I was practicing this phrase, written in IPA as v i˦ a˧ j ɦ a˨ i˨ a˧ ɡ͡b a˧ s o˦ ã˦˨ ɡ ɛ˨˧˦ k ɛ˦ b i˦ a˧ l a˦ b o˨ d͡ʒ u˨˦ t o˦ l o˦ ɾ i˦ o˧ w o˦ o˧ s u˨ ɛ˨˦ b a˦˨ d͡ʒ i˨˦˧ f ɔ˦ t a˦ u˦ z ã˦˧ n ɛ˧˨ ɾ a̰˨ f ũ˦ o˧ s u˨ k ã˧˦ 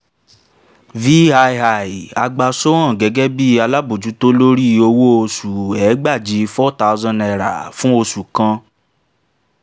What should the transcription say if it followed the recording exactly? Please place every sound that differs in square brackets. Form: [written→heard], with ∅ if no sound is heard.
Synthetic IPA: v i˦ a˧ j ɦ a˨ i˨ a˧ ɡ͡b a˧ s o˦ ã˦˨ ɡ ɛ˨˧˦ [k→ɡ] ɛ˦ b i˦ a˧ l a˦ b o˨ d͡ʒ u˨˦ t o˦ l o˦ ɾ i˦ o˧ w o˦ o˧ s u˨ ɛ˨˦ [b→ɡ͡b] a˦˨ d͡ʒ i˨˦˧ f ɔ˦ t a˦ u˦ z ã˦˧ n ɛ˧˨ ɾ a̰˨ f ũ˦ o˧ s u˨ k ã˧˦